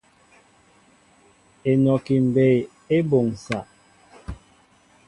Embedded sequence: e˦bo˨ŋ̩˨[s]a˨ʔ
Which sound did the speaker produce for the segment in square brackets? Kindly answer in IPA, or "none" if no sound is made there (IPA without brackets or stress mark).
s